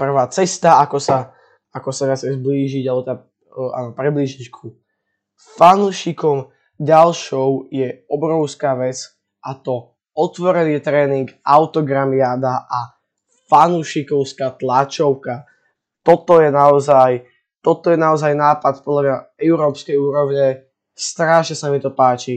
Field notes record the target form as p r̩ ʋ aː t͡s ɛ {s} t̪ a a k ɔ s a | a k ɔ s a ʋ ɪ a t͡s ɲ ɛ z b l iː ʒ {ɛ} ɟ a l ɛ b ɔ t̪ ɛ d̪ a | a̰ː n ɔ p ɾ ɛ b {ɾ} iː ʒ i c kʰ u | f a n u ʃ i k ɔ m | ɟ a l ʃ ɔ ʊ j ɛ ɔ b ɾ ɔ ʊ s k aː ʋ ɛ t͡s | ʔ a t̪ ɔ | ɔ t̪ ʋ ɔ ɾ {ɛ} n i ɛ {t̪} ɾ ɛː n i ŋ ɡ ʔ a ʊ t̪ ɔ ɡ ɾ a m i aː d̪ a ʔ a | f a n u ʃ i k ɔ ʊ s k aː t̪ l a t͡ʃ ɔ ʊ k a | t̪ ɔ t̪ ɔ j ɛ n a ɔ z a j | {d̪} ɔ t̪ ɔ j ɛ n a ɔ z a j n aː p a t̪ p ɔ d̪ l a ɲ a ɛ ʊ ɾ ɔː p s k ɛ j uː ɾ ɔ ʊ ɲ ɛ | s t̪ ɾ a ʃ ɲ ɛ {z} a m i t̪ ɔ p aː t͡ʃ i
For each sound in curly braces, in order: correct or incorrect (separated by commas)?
correct, incorrect, incorrect, correct, correct, incorrect, incorrect